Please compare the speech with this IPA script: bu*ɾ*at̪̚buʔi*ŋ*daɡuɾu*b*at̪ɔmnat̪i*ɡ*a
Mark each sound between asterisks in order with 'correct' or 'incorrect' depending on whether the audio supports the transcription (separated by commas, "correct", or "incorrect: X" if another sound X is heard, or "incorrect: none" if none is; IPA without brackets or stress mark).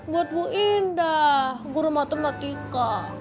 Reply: incorrect: none, incorrect: n, incorrect: m, incorrect: k